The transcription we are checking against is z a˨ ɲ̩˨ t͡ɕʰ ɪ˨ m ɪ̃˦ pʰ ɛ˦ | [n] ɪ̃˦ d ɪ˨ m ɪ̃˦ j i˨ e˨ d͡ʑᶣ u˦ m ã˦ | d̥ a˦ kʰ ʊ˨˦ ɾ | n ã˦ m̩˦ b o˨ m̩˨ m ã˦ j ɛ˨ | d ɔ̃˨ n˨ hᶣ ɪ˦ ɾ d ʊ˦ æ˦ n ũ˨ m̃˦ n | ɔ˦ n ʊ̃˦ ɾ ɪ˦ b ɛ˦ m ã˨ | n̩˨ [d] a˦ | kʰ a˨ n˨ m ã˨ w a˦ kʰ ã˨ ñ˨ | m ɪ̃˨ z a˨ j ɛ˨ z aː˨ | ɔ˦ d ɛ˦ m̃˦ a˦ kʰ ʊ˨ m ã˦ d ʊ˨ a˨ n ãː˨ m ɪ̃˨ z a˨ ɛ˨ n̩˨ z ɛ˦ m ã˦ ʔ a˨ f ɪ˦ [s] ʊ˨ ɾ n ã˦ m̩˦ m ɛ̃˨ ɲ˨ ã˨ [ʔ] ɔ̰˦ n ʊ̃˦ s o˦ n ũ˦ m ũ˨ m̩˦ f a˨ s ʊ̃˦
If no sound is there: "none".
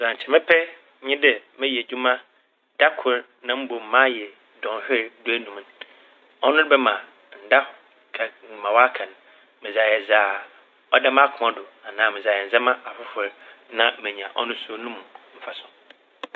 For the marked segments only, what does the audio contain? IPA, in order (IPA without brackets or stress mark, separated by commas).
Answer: ɲ, d, f, ʔ